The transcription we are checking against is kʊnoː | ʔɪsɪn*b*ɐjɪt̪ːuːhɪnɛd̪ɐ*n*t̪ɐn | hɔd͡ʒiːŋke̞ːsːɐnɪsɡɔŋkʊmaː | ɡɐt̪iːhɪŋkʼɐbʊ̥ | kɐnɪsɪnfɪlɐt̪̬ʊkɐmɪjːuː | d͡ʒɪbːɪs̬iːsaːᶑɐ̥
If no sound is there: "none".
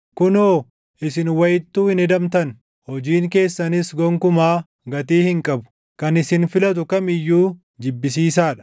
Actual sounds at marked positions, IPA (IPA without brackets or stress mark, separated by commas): w, m